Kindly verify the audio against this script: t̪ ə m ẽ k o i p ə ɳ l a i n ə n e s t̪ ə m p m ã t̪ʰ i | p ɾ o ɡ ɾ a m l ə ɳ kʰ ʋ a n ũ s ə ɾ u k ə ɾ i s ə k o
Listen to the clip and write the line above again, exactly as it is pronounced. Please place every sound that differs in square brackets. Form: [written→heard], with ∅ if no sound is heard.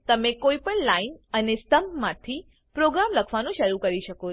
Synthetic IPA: t̪ ə m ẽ k o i p ə ɳ l a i n ə n e s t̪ ə m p m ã t̪ʰ i | p ɾ o ɡ ɾ a m l ə [ɳ→∅] kʰ ʋ a n ũ [s→ʃ] ə ɾ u k ə ɾ i [s→ʃ] ə k o